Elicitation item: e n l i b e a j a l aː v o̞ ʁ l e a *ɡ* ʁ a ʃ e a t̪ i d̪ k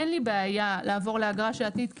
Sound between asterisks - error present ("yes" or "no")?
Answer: no